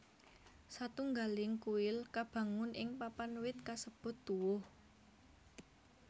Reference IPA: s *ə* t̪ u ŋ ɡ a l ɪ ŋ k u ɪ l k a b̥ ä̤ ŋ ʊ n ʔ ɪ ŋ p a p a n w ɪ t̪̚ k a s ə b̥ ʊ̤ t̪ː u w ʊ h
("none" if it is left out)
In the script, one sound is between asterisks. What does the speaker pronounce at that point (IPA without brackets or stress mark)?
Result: a